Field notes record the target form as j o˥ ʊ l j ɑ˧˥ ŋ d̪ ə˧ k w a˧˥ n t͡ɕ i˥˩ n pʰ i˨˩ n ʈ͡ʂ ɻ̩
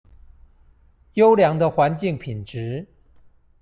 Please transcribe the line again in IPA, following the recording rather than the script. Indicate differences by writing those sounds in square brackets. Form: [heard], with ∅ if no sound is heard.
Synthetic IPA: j o˥ ʊ l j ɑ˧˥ ŋ d̪ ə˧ [x] w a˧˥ n t͡ɕ i˥˩ [ŋ] pʰ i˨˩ n ʈ͡ʂ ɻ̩